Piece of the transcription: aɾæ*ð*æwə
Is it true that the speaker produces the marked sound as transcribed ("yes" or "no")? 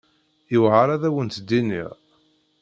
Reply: yes